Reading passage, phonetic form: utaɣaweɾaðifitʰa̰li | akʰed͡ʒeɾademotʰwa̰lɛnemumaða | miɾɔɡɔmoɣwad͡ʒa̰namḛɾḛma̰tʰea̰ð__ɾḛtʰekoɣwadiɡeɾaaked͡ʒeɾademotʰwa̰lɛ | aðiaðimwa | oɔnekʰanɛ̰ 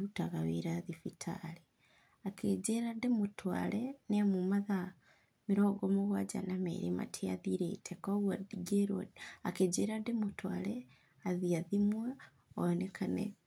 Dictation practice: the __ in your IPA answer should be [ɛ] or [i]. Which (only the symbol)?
i